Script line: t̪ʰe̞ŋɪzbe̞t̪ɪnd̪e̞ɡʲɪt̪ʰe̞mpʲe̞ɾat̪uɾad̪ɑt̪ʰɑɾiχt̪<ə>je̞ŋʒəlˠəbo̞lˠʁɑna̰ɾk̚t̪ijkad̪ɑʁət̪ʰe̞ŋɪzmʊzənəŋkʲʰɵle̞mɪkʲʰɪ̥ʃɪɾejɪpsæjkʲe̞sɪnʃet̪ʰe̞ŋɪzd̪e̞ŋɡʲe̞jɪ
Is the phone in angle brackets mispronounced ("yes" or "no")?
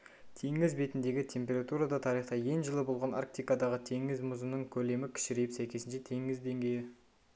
yes